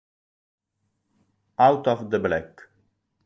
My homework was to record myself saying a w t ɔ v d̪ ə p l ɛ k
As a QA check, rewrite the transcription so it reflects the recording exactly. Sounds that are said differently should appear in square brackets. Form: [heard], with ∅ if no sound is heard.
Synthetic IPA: a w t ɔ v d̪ ə [b] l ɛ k